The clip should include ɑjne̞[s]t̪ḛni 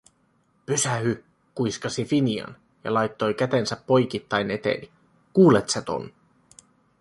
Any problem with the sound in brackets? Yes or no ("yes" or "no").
yes